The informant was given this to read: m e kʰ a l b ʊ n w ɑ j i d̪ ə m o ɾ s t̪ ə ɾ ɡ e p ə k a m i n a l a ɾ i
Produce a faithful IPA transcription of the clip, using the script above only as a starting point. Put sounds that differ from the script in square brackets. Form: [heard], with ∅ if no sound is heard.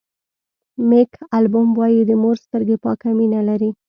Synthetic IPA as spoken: m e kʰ a l b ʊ [m] w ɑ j i d̪ ə m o ɾ s t̪ ə ɾ ɡ e p [ɑ] k a m i n a l a ɾ i

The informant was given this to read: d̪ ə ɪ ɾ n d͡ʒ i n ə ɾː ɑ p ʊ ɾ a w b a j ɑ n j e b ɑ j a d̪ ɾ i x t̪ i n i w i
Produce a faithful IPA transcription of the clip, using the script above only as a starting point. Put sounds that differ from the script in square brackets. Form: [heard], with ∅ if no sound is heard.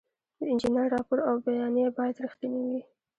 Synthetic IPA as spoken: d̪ ə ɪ [∅] n d͡ʒ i n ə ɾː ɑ p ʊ ɾ a w b a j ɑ n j e b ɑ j a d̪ ɾ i x t̪ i n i w i

